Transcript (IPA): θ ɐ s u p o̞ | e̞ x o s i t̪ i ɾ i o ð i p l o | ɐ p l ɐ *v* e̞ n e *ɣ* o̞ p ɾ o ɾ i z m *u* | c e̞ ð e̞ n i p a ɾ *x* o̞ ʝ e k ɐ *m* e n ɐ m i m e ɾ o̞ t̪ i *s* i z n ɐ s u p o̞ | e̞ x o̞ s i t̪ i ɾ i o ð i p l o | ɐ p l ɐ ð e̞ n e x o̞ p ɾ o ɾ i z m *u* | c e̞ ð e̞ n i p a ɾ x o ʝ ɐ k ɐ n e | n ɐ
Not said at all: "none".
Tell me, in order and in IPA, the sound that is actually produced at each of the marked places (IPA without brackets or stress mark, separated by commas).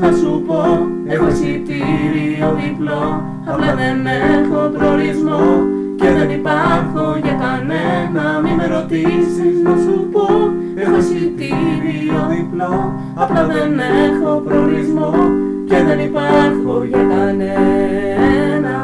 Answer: ð, x, o, x, n, s, o